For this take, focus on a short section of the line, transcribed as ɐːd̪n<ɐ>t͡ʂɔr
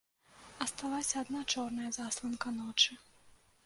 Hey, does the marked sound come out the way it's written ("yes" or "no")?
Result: no